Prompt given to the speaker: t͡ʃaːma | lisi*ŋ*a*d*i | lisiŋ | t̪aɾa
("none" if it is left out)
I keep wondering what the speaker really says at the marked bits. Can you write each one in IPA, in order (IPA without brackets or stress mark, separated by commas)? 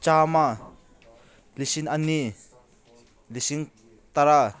n, n